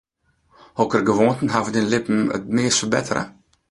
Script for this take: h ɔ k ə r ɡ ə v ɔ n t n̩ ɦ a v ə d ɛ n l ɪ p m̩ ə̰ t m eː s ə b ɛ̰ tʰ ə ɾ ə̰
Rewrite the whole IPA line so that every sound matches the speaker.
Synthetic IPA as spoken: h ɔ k ə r ɡ ə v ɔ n t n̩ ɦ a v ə d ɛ n l ɪ p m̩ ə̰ t m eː s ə b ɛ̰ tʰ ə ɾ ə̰